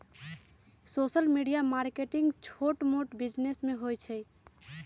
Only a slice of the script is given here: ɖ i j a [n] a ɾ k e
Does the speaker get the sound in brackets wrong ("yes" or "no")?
yes